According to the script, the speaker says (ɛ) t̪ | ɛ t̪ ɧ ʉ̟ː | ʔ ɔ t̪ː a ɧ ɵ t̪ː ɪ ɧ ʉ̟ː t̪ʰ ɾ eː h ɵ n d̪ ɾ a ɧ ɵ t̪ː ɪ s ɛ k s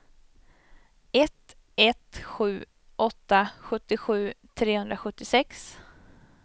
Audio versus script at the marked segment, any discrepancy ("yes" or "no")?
no